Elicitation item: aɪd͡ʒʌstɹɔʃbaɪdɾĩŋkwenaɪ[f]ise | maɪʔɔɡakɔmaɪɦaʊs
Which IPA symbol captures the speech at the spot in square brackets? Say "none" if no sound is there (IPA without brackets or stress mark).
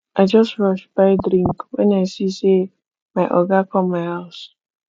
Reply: s